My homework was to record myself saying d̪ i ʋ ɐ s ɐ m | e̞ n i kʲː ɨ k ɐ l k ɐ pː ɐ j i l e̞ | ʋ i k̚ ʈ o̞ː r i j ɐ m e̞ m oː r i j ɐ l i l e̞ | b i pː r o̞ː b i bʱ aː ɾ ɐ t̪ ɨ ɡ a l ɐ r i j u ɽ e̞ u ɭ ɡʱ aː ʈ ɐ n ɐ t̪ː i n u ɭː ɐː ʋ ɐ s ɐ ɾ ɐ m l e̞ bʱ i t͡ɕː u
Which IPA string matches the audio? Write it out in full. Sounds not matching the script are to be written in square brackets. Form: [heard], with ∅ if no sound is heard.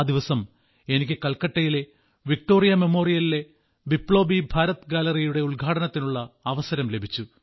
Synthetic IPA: d̪ i ʋ ɐ s ɐ m | e̞ n i kʲː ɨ k ɐ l k ɐ [ʈː] ɐ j i l e̞ | ʋ i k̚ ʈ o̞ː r i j ɐ m e̞ m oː r i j ɐ l i l e̞ | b i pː [ɭ] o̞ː b i bʱ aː ɾ ɐ t̪ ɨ ɡ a l ɐ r i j u ɽ e̞ u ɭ ɡʱ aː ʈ ɐ n ɐ t̪ː i n u ɭː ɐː ʋ ɐ s ɐ ɾ ɐ m l e̞ bʱ i t͡ɕː u